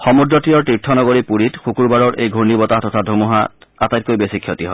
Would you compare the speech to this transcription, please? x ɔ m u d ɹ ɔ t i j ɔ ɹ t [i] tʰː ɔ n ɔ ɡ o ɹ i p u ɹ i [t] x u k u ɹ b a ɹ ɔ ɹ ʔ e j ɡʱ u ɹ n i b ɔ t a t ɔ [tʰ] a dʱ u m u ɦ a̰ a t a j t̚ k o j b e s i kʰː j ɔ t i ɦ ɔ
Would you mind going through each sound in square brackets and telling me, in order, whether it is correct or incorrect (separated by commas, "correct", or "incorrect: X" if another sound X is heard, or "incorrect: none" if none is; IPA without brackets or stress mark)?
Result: correct, correct, correct